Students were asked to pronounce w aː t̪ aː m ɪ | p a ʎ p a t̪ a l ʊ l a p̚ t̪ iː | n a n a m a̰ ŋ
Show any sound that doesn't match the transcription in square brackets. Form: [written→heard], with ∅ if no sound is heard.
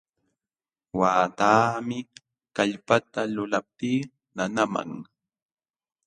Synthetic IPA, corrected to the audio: w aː t̪ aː m ɪ | [p→k] a ʎ p a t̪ a l ʊ l a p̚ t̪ iː | n a n a m a̰ ŋ